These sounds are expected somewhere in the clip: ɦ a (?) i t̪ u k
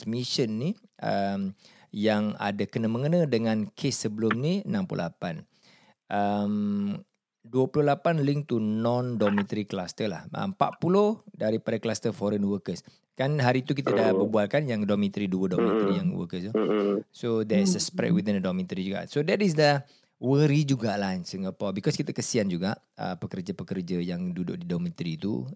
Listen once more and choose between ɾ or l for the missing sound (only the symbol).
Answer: ɾ